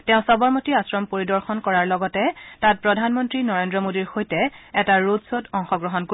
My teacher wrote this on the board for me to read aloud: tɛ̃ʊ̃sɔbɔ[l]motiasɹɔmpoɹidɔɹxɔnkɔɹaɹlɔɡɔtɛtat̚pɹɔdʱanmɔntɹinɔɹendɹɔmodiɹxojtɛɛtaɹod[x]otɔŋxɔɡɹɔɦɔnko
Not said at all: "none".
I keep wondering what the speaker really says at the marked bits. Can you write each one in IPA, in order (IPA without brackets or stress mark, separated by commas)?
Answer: ɹ, s